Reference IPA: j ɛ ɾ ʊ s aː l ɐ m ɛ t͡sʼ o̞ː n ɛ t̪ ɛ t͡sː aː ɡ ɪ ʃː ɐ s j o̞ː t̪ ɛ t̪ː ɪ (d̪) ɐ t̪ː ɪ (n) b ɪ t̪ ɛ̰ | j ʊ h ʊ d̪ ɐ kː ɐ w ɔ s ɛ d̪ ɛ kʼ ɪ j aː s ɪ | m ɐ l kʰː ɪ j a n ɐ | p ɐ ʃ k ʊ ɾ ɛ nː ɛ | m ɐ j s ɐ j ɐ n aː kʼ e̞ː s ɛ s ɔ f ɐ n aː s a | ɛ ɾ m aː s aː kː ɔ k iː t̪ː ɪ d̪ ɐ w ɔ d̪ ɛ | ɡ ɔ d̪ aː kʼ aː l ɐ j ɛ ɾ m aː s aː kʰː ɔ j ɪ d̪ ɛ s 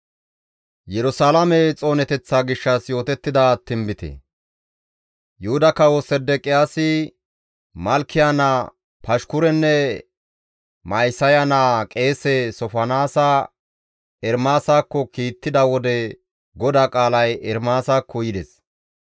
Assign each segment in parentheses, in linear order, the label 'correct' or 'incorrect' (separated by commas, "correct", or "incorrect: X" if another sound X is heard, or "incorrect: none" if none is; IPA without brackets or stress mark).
correct, incorrect: m